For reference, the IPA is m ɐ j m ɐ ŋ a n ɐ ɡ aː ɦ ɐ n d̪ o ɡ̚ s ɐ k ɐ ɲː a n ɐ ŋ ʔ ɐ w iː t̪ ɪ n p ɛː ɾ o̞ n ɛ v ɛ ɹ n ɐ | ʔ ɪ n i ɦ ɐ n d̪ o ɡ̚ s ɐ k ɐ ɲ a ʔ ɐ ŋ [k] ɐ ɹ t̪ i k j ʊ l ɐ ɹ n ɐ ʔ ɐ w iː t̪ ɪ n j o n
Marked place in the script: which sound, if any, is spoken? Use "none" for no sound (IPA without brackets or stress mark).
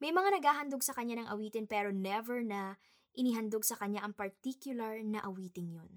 p